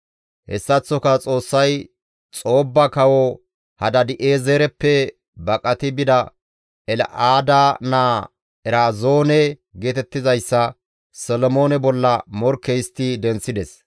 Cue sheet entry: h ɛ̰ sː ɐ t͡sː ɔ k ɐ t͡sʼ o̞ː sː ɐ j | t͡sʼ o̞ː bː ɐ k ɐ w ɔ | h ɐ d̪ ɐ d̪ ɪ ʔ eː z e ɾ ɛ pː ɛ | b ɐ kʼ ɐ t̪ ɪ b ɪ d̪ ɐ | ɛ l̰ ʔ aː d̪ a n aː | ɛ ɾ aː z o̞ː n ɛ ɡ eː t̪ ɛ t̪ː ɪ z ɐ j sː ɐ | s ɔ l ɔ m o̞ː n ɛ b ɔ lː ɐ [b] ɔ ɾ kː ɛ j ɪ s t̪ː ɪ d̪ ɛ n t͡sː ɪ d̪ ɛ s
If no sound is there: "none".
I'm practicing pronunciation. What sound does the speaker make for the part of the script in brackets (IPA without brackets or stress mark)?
m